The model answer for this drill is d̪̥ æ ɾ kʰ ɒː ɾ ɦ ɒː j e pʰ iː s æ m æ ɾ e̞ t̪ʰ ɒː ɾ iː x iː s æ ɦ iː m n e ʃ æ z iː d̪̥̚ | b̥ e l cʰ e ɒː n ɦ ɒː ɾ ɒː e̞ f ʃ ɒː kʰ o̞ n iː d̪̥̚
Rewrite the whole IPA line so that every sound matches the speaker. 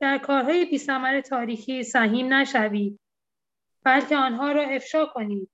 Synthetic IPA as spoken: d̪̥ æ ɾ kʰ ɒː ɾ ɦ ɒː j e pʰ iː s æ m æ ɾ e̞ t̪ʰ ɒː ɾ iː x iː s æ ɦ iː m n æ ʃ æ v iː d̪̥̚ | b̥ æ l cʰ e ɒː n ɦ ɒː ɾ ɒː e̞ f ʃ ɒː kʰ o̞ n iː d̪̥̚